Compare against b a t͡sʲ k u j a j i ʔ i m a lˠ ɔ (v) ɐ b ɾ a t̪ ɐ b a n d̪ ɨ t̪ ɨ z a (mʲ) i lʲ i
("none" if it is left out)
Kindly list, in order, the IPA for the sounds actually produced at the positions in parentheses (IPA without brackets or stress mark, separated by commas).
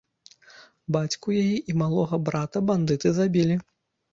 ɣ, bʲ